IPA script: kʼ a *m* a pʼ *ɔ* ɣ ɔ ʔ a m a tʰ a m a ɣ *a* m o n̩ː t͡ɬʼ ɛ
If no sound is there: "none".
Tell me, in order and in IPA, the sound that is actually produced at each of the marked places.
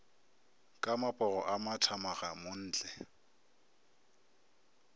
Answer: m, ɔ, a

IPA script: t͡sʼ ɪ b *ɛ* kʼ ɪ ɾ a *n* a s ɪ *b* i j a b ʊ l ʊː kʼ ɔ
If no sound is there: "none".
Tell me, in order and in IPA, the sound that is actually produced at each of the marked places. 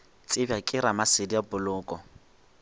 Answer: a, m, d

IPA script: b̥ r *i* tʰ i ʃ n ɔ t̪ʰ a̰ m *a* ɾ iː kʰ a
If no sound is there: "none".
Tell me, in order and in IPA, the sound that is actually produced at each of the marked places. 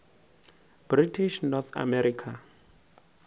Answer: i, ɛ

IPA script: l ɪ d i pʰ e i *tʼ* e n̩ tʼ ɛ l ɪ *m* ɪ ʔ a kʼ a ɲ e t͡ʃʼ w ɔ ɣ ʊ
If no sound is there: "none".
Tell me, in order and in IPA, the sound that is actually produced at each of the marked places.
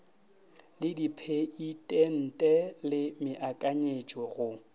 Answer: tʼ, m

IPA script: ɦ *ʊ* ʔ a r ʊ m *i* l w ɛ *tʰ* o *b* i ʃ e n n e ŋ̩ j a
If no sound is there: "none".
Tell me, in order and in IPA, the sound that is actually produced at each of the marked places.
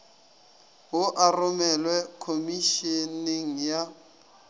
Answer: ʊ, ɛ, kʰ, m

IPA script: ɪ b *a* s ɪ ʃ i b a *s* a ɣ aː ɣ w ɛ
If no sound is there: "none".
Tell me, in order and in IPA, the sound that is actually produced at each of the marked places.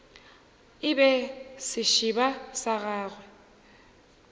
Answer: ɛ, s

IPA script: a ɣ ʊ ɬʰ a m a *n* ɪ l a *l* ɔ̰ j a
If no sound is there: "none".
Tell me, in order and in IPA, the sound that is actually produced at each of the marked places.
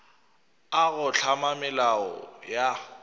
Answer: m, none

